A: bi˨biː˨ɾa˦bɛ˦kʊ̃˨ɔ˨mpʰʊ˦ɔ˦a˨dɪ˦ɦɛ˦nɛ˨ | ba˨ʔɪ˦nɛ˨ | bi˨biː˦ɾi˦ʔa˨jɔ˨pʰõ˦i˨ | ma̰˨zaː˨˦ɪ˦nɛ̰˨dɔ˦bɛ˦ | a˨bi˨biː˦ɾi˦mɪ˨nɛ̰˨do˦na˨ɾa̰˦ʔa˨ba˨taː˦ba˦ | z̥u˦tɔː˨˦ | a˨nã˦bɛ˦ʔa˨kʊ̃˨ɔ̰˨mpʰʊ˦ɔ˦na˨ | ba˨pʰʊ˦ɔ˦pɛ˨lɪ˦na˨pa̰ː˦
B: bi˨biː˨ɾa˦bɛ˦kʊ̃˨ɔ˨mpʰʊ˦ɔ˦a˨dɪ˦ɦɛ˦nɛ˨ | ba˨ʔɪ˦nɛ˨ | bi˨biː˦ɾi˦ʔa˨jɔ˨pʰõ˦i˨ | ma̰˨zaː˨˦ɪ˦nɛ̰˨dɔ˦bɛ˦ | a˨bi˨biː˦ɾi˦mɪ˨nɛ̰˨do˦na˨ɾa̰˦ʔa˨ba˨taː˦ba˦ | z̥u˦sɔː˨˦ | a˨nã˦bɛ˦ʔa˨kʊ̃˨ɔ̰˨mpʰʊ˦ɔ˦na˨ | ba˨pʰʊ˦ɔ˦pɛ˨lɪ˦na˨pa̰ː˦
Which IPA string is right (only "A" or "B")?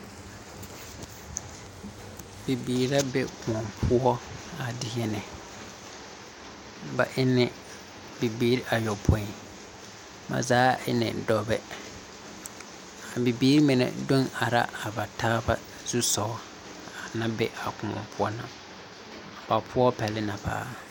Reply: B